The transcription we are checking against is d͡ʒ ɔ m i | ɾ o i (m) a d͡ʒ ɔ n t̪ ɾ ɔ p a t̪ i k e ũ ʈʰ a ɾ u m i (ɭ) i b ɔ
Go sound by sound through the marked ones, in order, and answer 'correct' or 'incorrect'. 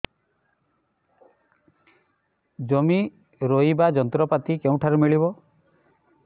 incorrect, correct

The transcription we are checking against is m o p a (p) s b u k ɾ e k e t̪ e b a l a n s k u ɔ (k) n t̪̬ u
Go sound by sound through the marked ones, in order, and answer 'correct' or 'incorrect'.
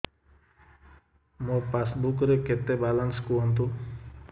incorrect, incorrect

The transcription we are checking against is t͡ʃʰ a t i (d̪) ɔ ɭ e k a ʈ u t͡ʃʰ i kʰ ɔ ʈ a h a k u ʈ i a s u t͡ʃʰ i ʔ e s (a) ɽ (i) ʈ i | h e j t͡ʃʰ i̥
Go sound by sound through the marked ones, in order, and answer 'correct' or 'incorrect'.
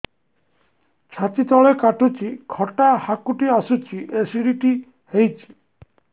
incorrect, incorrect, correct

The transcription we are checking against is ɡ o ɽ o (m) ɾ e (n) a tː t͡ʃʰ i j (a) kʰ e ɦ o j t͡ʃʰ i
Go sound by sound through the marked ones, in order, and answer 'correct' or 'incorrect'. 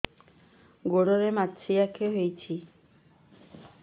incorrect, incorrect, correct

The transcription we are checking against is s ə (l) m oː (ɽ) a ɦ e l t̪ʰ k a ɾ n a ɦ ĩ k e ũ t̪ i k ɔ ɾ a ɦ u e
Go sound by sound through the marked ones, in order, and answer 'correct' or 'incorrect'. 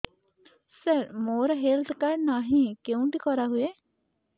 incorrect, incorrect

